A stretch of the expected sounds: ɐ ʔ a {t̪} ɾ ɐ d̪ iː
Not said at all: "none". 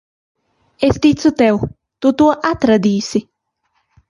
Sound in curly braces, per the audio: t̪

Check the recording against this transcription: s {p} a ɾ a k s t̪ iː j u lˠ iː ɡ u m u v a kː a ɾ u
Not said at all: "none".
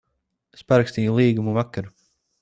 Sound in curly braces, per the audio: p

